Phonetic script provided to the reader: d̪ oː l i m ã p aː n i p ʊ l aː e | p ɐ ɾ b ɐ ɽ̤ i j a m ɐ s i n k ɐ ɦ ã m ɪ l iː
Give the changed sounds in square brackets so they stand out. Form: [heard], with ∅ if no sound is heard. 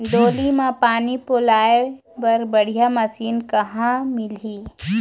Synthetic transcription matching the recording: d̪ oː l i m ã p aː n i p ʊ l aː e | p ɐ ɾ b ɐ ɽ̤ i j a m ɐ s [iː] n k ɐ ɦ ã m ɪ l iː

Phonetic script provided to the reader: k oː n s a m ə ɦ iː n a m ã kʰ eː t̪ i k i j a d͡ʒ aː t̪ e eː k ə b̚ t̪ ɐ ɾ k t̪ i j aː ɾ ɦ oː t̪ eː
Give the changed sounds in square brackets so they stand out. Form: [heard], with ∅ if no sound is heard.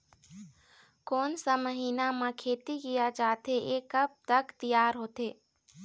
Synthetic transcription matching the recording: k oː n s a m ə ɦ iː n a m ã kʰ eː t̪ i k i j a d͡ʒ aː t̪ e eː k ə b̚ t̪ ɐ [∅] k t̪ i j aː ɾ ɦ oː t̪ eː

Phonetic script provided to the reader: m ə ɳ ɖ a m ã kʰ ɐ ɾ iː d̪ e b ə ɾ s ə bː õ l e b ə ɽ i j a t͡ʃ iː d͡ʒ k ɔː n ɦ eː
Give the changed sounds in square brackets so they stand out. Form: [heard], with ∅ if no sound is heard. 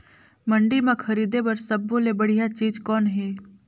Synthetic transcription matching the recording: m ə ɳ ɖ [i] m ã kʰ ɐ ɾ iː d̪ e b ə ɾ s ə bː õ l e b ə ɽ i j a t͡ʃ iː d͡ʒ k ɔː n ɦ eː

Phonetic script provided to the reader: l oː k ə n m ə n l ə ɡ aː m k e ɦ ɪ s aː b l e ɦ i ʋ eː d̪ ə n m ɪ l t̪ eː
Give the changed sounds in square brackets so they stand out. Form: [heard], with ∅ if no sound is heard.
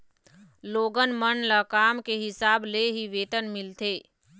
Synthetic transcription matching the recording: l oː [ɡ] ə n m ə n l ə [k] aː m k e ɦ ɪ s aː b l e ɦ i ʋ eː [t̪] ə n m ɪ l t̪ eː

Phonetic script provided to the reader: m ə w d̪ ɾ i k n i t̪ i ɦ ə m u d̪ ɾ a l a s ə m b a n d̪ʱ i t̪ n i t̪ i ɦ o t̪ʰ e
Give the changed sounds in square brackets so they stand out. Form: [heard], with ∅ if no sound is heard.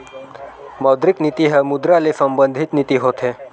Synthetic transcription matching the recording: m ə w d̪ ɾ i k n i t̪ i ɦ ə m u d̪ ɾ a l [e] s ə m b [ə] n d̪ʱ i t̪ n i t̪ i ɦ o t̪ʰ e

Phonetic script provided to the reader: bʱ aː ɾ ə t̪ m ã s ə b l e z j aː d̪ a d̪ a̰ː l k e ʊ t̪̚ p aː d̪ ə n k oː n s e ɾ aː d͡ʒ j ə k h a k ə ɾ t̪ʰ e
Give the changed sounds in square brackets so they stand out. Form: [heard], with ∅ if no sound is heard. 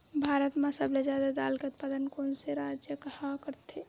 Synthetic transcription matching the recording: bʱ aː ɾ ə t̪ m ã s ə b l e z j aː d̪ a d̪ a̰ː l k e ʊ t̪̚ p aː d̪ ə n k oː n s e ɾ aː d͡ʒ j ə k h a k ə ɾ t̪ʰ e

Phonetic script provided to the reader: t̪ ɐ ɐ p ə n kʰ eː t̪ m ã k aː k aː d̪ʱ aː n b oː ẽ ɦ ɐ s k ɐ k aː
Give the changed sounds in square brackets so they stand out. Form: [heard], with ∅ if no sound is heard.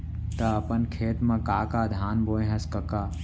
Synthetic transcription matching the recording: t̪ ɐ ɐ p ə n kʰ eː t̪ m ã k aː k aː d̪ʱ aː n b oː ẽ ɦ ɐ s k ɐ k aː

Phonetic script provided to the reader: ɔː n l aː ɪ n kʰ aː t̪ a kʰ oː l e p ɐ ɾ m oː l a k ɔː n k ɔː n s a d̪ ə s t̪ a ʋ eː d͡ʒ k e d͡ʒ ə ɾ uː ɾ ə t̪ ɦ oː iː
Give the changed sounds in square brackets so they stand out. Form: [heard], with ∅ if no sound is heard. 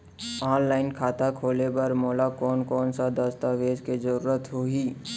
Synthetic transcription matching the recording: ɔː n l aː ɪ n kʰ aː t̪ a kʰ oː l e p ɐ ɾ m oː l a k ɔː n k ɔː n s a d̪ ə s t̪ a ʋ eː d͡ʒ k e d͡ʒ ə ɾ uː ɾ ə t̪ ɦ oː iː

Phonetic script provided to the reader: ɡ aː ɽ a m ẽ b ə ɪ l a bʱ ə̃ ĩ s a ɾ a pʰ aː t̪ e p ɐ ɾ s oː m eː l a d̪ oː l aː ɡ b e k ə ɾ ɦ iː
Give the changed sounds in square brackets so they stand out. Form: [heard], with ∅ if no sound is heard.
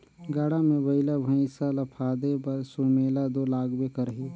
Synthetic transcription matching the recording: ɡ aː ɽ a m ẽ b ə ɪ l a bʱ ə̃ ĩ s a [l] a pʰ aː [d̪] e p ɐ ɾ s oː m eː l a d̪ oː l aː ɡ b e k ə ɾ ɦ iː

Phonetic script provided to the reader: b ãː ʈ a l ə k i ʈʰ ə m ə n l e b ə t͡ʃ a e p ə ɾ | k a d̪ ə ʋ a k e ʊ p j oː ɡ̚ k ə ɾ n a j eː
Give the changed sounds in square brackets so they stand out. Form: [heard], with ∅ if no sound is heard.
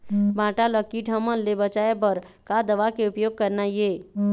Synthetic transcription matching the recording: b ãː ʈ a l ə k i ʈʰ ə m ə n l e b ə t͡ʃ a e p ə ɾ | k a d̪ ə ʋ a k e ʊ p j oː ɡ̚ k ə ɾ n a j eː

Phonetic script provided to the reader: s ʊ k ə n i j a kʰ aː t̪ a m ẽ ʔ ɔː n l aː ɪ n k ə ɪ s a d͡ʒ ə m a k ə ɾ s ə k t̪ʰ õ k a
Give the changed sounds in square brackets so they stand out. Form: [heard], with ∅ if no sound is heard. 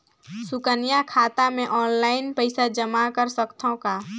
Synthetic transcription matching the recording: s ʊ k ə n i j a kʰ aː t̪ a m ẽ ʔ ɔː n l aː ɪ n [p] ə ɪ s a d͡ʒ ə m a k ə ɾ s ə k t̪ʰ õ k a

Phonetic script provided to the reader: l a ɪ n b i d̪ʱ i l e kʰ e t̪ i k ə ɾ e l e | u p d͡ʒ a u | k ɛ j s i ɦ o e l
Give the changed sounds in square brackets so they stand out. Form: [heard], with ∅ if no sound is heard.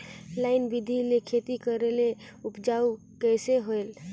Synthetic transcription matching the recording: l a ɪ n b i d̪ʱ i l e kʰ e t̪ i k ə ɾ e l e | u p d͡ʒ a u | k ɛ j s [e] ɦ o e l

